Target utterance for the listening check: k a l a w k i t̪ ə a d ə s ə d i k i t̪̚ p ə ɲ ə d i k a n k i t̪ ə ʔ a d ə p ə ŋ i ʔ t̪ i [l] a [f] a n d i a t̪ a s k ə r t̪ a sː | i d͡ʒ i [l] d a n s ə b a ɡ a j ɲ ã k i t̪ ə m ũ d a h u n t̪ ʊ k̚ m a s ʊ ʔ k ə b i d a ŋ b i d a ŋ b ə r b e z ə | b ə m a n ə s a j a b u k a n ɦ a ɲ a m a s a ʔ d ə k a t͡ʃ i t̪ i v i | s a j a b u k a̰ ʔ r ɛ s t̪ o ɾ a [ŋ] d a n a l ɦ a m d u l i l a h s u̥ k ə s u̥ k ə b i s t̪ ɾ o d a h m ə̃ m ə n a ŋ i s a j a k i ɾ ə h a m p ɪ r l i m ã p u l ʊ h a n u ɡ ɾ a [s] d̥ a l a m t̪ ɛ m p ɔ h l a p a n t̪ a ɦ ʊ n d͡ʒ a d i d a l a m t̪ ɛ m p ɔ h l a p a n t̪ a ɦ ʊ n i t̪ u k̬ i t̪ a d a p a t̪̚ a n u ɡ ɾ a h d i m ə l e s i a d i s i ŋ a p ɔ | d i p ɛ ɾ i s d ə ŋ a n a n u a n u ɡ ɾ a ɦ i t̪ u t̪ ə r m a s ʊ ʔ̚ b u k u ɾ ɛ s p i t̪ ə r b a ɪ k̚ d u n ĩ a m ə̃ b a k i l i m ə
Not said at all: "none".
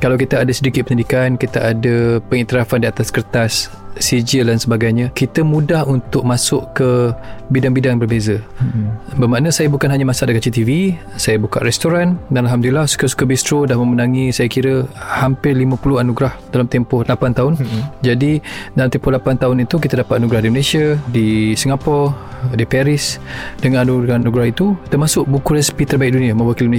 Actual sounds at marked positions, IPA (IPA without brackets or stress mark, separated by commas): ɾ, f, l, n, h